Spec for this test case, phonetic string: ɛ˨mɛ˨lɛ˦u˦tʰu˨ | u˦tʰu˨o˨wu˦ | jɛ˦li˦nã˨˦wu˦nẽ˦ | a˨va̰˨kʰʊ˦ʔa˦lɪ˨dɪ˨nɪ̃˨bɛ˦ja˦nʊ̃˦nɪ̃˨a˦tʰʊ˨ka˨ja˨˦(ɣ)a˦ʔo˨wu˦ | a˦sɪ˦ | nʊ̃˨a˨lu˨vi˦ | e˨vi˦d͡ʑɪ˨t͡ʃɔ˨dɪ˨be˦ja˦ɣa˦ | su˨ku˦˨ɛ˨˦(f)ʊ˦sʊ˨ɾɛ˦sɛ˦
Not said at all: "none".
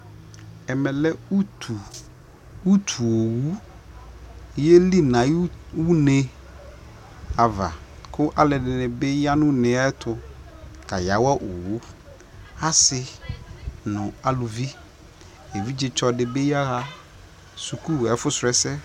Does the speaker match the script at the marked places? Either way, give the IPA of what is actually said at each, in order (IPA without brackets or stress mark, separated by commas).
w, f